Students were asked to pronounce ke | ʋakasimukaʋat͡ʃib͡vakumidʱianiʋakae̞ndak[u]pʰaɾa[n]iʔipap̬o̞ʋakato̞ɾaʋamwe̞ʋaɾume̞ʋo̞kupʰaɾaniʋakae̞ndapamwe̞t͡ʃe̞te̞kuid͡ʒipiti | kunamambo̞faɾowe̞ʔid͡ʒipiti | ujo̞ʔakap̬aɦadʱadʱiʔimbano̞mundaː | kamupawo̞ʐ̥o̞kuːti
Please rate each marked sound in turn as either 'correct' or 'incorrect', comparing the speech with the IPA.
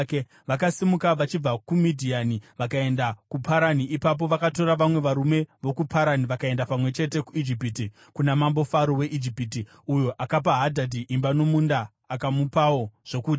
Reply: correct, correct

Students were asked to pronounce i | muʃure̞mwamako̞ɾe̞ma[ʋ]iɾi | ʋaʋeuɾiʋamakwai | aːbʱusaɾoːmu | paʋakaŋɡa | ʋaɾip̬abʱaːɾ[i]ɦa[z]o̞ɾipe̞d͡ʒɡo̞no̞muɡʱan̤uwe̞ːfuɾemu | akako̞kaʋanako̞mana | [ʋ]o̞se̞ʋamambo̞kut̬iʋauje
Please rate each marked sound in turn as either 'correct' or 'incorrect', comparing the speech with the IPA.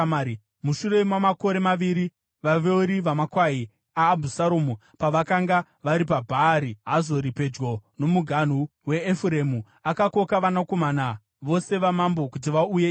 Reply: correct, correct, correct, correct

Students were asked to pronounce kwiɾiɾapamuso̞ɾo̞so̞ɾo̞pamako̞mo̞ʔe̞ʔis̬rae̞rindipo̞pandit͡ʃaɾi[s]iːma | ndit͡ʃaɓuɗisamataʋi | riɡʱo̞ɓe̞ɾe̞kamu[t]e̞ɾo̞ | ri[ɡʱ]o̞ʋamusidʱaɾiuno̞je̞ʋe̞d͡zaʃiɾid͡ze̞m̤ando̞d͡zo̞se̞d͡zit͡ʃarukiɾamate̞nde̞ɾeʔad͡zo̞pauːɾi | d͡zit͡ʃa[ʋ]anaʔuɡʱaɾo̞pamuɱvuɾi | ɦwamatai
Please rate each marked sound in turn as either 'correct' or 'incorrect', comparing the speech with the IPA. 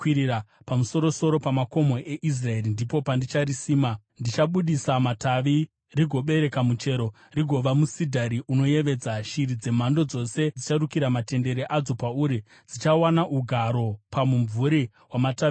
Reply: correct, incorrect: t͡ʃ, correct, incorrect: w

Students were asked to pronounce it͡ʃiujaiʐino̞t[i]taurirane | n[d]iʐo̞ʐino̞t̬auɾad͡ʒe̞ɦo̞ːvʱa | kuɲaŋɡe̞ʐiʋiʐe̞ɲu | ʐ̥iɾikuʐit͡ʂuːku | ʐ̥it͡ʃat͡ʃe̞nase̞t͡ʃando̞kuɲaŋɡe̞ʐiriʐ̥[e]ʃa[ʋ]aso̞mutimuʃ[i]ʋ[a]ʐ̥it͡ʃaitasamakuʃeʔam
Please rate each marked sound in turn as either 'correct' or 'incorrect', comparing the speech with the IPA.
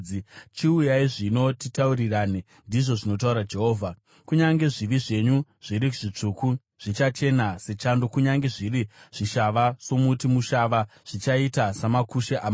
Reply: correct, correct, incorrect: i, correct, incorrect: a, correct

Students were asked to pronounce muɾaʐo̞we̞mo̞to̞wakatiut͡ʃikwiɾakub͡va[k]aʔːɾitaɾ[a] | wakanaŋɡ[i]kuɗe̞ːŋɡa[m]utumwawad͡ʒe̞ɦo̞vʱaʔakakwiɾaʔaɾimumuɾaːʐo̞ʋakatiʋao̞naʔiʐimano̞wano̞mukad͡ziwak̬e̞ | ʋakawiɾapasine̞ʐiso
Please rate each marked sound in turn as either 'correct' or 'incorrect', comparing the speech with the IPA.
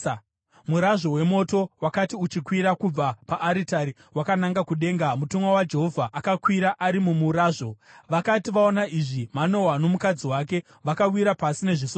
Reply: incorrect: p, incorrect: i, incorrect: a, correct

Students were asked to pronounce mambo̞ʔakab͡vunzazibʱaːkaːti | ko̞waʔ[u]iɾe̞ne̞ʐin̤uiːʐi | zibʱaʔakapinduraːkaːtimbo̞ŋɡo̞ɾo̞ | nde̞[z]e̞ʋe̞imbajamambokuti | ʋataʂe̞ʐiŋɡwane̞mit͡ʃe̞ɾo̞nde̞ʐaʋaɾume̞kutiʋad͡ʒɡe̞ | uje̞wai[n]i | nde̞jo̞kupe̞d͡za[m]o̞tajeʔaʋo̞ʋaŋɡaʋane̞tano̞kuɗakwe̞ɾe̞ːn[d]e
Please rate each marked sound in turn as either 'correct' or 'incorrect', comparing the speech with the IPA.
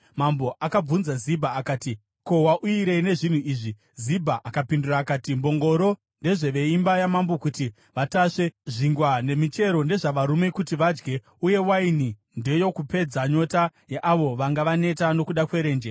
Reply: correct, incorrect: ʐ, correct, incorrect: ɲ, incorrect: d͡ʒ

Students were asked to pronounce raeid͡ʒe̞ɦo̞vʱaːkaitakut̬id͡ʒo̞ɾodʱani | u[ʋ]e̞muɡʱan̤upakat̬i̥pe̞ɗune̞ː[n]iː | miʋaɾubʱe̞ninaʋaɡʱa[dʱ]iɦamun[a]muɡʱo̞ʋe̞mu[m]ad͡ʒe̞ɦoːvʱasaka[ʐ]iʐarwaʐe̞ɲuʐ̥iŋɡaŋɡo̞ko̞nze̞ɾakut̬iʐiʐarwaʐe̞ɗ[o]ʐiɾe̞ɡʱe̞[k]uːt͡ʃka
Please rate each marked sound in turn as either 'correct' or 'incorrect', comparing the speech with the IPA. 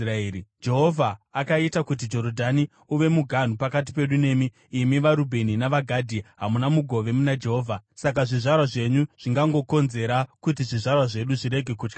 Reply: correct, incorrect: m, correct, correct, incorrect: n, correct, incorrect: u, correct

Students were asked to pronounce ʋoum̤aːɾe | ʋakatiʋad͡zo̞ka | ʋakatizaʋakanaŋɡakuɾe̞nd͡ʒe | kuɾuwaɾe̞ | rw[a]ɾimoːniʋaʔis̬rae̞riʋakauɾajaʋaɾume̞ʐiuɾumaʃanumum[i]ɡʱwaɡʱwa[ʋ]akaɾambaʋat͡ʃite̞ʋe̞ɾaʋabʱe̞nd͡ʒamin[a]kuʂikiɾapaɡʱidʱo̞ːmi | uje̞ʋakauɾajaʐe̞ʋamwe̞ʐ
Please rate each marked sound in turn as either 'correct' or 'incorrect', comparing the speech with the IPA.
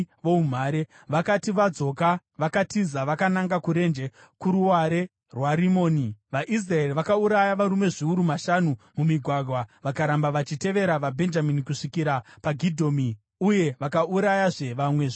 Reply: correct, correct, correct, incorrect: i

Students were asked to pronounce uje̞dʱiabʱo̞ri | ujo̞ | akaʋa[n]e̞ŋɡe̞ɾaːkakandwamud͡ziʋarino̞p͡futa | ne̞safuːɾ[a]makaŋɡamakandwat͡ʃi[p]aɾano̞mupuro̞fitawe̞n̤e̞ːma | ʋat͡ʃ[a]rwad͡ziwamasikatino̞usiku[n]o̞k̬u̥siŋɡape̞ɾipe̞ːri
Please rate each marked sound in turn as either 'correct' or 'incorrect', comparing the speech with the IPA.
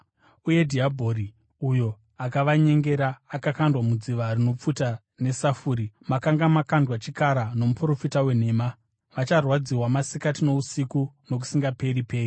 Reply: incorrect: ɲ, incorrect: i, incorrect: k, correct, correct

